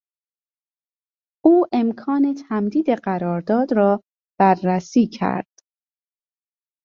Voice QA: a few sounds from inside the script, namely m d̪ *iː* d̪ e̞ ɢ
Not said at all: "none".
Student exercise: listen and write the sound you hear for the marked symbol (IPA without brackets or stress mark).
iː